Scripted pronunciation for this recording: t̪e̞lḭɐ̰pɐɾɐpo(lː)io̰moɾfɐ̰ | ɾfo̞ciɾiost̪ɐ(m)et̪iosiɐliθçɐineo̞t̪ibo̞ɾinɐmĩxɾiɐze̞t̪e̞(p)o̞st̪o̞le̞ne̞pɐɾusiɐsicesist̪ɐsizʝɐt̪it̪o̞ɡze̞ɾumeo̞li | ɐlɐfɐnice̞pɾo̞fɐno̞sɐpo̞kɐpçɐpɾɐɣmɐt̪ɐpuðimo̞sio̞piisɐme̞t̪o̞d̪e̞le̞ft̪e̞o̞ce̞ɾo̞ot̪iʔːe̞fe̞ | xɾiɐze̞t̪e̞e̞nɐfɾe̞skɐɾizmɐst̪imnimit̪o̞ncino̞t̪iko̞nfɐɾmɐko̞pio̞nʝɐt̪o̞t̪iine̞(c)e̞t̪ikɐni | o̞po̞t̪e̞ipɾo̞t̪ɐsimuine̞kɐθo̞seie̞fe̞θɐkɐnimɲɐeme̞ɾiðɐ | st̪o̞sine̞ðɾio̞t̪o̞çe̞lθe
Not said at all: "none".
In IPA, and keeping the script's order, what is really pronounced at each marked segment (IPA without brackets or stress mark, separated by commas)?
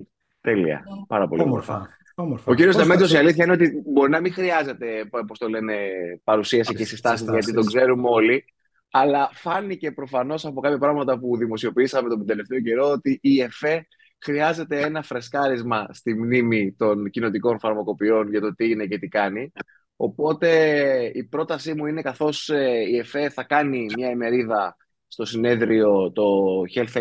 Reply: l, m, p, c